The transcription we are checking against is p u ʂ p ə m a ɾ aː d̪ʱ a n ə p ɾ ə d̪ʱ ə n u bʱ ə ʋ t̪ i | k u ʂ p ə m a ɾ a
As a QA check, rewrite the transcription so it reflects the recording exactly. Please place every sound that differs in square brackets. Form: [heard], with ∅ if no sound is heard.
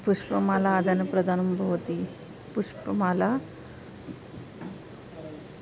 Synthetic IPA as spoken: p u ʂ p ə m a [l] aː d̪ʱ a n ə p ɾ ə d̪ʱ [a] n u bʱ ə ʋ t̪ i | [p] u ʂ p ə m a [l] a